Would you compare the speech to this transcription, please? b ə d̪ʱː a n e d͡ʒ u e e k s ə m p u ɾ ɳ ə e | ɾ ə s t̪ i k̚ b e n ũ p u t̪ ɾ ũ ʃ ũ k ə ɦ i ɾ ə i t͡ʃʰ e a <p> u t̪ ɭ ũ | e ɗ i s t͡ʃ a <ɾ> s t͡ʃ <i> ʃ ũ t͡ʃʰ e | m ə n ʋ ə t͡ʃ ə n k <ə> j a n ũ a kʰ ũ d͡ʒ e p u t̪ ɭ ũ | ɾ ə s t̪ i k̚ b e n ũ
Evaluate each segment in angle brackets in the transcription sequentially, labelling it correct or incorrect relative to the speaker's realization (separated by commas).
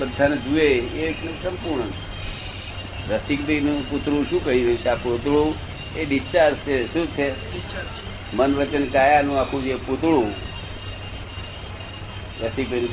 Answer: correct, correct, incorrect, incorrect